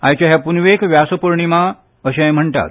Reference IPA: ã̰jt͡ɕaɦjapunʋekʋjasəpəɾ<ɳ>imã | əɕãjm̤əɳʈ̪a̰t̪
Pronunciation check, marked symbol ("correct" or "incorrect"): correct